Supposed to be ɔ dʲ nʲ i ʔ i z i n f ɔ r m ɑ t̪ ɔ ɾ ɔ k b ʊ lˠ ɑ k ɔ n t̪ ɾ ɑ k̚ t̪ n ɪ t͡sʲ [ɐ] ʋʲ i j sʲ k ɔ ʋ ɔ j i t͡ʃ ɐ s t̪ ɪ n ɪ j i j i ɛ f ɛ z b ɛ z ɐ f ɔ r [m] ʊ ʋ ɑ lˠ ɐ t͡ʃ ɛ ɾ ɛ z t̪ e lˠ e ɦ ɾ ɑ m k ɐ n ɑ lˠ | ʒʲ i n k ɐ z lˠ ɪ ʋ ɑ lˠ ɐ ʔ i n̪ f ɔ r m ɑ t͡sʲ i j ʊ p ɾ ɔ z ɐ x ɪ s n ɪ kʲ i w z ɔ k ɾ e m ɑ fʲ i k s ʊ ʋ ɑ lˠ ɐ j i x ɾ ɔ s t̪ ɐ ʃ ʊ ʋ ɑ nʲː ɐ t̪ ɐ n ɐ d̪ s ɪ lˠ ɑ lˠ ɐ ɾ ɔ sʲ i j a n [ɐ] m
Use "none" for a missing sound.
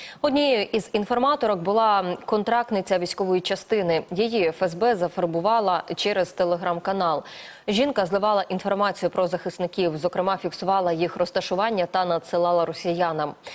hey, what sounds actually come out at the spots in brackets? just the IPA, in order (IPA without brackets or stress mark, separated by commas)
ɐ, b, ɐ